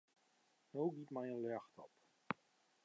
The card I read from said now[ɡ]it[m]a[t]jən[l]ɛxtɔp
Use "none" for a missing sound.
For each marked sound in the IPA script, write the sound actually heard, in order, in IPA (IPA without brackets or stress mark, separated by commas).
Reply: ɡ, m, none, l